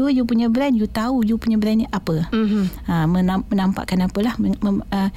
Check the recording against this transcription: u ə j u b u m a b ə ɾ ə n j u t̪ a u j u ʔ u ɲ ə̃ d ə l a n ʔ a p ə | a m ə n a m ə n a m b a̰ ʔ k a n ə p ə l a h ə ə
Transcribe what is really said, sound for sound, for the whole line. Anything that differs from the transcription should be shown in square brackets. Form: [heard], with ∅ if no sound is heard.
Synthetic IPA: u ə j u [p] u [ɲ] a b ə ɾ [a] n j u t̪ a u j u [p] u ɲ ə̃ [b] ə [ɾ] a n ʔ a p ə | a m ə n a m ə n a m [p] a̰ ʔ k a n [a] p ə l a h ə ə